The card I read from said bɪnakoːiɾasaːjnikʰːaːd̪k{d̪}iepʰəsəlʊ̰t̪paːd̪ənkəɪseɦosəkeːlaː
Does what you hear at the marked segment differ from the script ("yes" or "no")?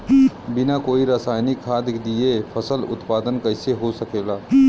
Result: no